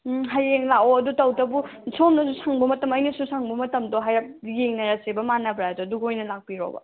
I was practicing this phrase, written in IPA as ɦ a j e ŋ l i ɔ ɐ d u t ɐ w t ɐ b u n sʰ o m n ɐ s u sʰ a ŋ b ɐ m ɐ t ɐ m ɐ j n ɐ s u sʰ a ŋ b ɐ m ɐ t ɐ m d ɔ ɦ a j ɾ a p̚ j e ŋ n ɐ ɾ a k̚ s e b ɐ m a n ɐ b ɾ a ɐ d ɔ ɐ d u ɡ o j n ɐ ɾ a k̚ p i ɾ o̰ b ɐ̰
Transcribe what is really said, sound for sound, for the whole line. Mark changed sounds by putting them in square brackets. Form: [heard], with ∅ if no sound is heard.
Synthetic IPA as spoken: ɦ a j e ŋ l [a] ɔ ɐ d u t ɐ w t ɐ b u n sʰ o m n ɐ s u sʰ a ŋ b ɐ m ɐ t ɐ m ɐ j n ɐ s u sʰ a ŋ b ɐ m ɐ t ɐ m d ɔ ɦ a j ɾ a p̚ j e ŋ n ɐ ɾ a [∅] s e b ɐ m a n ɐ b ɾ a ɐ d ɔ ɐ d u ɡ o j n ɐ [l] a k̚ p i ɾ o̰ b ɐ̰